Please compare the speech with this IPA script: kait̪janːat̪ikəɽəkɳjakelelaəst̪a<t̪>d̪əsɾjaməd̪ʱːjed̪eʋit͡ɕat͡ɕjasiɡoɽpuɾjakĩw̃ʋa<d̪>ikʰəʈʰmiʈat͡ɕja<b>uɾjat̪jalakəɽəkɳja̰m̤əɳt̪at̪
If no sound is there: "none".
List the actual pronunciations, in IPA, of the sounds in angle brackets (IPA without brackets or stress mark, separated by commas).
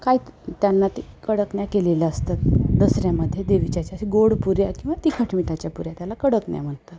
t̪, t̪, p